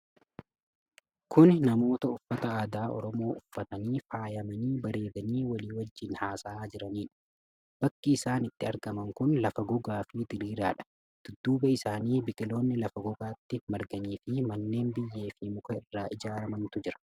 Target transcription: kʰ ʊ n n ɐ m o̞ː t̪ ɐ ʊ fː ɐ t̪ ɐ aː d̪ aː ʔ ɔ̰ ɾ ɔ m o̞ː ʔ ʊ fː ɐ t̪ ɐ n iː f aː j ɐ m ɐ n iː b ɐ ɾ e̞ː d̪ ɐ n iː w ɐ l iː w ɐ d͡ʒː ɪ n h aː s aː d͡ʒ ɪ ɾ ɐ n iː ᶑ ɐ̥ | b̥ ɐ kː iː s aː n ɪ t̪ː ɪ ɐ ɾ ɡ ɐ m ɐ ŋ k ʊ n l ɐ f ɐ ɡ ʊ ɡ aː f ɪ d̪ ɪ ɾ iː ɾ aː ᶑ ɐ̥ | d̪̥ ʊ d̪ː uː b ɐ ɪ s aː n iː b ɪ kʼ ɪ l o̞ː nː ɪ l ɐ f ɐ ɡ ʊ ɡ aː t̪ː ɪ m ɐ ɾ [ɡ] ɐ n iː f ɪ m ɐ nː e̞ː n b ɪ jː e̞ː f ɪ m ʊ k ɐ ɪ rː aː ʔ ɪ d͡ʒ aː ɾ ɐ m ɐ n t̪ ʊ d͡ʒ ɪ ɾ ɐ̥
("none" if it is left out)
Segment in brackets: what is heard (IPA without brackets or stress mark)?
ɡ